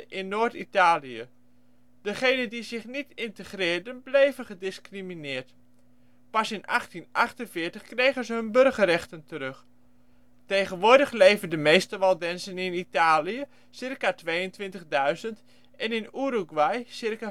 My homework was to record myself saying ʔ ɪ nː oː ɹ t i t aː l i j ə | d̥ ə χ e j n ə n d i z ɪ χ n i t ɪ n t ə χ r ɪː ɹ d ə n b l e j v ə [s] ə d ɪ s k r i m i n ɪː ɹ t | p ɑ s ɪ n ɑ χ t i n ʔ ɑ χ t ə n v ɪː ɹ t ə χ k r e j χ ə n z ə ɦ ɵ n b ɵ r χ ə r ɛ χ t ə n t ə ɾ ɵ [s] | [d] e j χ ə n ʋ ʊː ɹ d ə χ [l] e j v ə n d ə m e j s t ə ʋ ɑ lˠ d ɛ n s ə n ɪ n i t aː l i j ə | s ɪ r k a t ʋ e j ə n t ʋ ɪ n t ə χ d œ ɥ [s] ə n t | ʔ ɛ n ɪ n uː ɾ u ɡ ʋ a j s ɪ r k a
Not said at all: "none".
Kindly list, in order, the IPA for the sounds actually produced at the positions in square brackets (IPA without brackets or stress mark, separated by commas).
χ, χ, t, l, z